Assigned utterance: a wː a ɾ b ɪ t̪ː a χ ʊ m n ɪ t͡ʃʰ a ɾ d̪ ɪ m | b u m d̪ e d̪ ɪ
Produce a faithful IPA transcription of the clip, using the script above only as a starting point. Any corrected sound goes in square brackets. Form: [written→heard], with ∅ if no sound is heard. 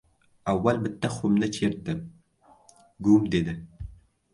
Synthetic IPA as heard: a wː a [ɾ→l] b ɪ t̪ː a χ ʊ m n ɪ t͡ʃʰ [a→e] ɾ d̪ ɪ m | [b→ɡ] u m d̪ e d̪ ɪ